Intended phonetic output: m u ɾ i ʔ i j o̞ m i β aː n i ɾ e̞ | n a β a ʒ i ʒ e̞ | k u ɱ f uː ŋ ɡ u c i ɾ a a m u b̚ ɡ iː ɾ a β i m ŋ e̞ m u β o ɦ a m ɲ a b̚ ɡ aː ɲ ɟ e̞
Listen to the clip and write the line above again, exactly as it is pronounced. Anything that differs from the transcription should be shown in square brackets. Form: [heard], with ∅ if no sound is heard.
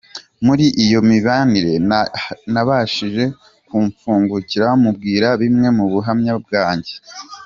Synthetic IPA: m u ɾ i ʔ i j o̞ m i β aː n i ɾ e̞ | n a β a [ʃ] i ʒ e̞ | k u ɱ f uː ŋ ɡ u c i ɾ a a m u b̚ ɡ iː ɾ a β i m ŋ e̞ m u β [u] ɦ a m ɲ a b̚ ɡ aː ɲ ɟ e̞